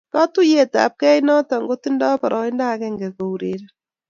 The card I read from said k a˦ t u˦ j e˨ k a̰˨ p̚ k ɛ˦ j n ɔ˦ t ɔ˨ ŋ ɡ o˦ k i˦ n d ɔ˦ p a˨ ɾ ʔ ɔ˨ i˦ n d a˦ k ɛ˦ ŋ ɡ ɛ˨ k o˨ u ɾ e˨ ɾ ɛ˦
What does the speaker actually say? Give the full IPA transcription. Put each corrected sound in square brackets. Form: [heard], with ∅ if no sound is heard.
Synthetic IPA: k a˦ t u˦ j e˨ [t] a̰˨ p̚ k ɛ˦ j n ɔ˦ t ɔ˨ ŋ ɡ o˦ [t] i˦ n d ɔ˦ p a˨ ɾ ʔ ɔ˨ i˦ n d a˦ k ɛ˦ ŋ ɡ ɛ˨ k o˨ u ɾ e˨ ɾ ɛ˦

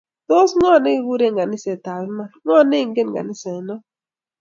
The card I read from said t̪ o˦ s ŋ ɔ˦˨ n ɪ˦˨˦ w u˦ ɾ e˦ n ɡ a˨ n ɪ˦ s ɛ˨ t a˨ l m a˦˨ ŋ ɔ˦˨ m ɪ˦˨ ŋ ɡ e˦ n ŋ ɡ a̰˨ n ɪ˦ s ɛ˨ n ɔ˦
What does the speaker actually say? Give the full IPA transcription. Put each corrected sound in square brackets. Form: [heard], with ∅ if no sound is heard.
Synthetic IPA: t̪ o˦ s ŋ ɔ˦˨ n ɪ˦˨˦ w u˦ ɾ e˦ [ŋ] ɡ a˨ n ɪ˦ s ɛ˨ t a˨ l m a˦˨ ŋ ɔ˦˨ [n] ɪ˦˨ ŋ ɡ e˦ n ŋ ɡ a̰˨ n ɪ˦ s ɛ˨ n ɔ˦

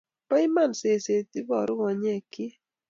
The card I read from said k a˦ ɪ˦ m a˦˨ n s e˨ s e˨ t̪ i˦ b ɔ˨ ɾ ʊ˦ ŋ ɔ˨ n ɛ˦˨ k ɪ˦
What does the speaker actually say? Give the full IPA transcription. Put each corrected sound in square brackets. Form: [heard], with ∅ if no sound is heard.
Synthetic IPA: [p] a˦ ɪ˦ m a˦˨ n s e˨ s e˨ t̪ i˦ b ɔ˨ ɾ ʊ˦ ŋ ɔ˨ [ɲ] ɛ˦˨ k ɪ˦

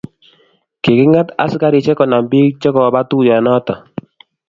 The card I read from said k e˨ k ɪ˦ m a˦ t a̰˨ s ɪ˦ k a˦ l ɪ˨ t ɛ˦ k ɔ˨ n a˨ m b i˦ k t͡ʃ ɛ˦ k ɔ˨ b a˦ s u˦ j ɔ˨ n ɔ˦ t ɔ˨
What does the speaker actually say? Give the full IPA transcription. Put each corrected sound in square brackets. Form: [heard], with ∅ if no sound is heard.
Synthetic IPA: k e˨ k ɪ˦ [ŋ] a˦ t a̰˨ s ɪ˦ k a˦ [ɾ] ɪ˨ [t͡ʃ] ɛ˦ k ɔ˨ n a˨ m b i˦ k t͡ʃ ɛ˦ k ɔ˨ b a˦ [t] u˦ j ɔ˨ n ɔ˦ t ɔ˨

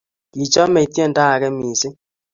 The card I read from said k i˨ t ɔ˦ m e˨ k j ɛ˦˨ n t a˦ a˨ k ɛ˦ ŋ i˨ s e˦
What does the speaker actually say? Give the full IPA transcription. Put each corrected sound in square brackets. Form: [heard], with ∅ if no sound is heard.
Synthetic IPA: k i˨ [t͡ʃ] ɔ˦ m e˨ [t] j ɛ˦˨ n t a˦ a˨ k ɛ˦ [m] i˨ s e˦

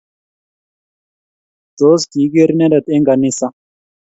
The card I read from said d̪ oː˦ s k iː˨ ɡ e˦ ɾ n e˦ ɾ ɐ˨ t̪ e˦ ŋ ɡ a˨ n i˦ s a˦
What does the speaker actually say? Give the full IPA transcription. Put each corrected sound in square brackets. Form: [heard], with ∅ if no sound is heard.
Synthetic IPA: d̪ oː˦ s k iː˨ ɡ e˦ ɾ n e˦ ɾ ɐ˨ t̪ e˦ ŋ ɡ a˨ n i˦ s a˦

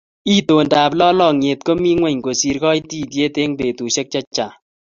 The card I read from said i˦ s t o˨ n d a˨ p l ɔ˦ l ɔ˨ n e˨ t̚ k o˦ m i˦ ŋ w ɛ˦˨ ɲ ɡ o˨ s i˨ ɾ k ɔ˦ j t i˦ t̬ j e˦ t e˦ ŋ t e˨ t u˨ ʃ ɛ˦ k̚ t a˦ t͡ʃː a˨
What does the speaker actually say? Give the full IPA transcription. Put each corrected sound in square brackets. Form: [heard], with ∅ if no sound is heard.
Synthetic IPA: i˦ [∅] t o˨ n d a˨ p l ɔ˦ l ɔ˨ [ŋ] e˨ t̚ k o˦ m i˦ ŋ w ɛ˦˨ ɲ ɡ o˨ s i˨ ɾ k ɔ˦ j t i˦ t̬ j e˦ t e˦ ŋ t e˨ t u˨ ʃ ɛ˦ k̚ [t͡ʃ] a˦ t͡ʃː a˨

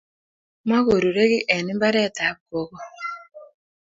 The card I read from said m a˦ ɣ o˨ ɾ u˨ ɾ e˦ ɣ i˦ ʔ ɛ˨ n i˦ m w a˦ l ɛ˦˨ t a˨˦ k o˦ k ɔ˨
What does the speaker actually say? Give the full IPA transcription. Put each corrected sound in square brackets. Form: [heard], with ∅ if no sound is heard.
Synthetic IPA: m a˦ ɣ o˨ ɾ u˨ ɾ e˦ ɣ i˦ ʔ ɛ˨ n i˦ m [b] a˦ [ɾ] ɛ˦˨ t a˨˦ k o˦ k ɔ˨

